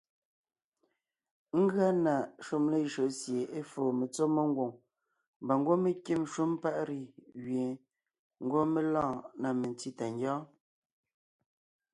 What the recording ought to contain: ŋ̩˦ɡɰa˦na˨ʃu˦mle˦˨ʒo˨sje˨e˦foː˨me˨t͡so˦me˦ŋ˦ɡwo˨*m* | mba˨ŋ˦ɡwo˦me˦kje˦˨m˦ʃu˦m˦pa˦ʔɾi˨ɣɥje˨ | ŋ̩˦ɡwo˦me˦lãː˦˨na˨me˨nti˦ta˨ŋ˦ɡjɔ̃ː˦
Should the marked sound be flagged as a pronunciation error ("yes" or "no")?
yes